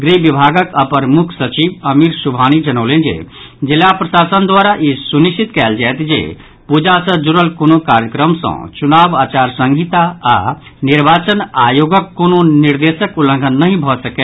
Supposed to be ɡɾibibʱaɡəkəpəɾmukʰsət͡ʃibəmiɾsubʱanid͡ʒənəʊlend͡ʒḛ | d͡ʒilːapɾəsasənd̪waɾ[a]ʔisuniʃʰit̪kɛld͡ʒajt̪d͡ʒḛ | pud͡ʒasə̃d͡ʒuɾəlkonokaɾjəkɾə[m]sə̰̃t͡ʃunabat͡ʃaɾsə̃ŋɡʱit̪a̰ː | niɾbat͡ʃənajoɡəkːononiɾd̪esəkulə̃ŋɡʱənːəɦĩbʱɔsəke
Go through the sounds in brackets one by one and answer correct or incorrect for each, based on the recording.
correct, correct

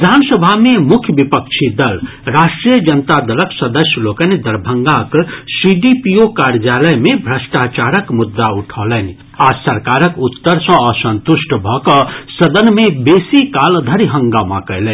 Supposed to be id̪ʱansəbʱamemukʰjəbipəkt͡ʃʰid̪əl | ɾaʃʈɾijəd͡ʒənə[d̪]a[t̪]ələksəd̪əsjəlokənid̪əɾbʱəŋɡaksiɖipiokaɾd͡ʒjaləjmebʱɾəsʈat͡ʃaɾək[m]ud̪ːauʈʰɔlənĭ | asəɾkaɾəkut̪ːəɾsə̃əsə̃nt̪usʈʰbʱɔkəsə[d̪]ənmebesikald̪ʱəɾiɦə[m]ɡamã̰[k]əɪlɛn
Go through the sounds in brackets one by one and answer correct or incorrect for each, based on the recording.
incorrect: t̪, incorrect: d̪, correct, correct, incorrect: ŋ, correct

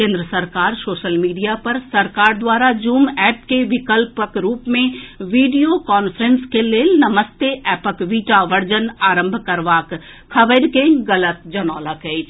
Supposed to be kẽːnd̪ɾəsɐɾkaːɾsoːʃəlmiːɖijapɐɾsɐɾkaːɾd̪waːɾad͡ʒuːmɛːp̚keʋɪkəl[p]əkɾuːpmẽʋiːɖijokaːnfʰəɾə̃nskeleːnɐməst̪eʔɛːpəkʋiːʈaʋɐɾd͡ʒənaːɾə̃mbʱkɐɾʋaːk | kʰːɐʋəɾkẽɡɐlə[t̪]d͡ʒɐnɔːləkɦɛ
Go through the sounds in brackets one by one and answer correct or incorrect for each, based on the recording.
correct, correct

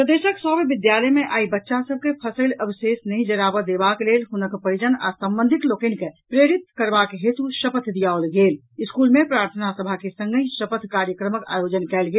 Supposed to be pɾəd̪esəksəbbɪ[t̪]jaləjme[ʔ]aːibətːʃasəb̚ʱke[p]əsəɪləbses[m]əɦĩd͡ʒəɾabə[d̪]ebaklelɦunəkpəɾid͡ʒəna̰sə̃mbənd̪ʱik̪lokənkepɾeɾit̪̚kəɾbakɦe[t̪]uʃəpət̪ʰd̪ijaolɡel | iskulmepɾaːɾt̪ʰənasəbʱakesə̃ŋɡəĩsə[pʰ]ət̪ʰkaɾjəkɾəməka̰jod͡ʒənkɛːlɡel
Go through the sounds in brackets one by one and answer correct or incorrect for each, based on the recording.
incorrect: d̪, correct, incorrect: pʰ, incorrect: n, correct, correct, incorrect: p

